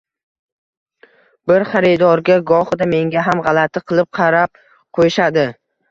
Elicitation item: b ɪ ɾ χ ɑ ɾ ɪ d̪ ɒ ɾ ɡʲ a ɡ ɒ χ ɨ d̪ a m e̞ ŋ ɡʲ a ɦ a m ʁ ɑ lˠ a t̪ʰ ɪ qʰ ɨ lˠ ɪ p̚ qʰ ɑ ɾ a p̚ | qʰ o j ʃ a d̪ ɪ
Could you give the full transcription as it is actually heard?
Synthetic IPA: b ɪ ɾ χ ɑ ɾ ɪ d̪ ɒ ɾ ɡʲ a ɡ ɒ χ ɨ d̪ a m e̞ ŋ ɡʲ a ɦ a m ʁ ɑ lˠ a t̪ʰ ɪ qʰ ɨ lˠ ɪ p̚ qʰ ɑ ɾ a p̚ | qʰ o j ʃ a d̪ ɪ